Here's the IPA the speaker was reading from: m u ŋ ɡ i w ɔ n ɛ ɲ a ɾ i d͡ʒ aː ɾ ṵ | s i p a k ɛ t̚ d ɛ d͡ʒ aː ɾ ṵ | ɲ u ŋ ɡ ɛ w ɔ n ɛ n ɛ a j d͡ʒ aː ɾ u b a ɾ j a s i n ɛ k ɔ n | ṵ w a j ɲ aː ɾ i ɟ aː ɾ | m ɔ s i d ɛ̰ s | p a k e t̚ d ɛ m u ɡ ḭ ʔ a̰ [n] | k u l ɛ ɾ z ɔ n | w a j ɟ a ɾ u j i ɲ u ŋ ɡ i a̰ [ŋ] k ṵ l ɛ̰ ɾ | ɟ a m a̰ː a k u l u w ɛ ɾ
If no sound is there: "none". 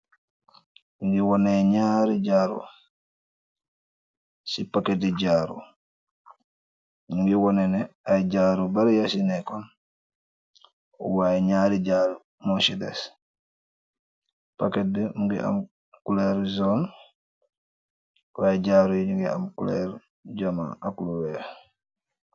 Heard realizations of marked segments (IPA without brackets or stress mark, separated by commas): m, m